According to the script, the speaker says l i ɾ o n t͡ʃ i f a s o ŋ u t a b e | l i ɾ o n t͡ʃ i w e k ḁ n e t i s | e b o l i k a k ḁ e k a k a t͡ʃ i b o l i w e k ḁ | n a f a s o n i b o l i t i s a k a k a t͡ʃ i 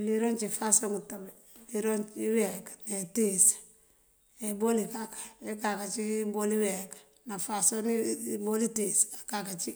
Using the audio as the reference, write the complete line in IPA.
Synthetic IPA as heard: l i ɾ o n t͡ʃ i f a s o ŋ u t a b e | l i ɾ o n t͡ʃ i w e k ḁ n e t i s | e b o l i k a k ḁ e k a k a t͡ʃ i b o l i w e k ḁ | n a f a s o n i b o l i t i s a k a k a t͡ʃ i